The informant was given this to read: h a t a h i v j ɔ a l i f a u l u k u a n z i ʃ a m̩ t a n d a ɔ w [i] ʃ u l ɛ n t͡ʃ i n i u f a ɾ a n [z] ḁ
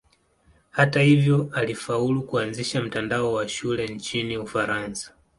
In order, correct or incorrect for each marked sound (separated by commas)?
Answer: incorrect, incorrect